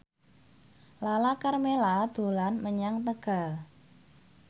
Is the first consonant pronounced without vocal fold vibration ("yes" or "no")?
no